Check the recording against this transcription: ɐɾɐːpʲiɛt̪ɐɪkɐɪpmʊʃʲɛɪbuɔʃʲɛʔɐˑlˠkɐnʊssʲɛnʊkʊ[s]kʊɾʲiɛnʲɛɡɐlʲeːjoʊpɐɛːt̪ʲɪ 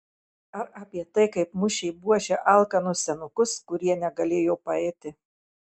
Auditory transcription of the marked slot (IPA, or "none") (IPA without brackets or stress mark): s